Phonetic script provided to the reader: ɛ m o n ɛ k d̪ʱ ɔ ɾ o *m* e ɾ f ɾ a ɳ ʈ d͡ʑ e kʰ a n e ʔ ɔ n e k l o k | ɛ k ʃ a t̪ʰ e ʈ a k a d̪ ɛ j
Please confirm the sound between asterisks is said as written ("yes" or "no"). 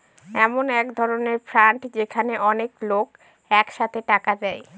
no